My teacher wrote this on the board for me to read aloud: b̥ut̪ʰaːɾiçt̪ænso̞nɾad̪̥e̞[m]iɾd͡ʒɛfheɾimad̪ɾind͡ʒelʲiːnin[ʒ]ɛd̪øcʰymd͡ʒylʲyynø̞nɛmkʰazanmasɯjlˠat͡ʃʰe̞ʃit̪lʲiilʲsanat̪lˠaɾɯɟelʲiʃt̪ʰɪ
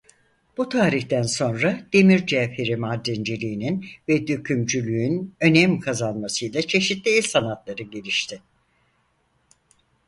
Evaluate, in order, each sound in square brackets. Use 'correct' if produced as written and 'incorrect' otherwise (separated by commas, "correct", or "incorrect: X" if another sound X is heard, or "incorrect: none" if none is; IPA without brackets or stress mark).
correct, incorrect: v